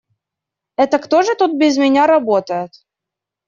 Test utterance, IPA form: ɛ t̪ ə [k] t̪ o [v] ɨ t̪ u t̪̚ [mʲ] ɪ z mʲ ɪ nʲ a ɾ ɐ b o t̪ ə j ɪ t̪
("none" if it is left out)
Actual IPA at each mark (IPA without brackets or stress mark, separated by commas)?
k, ʐ, bʲ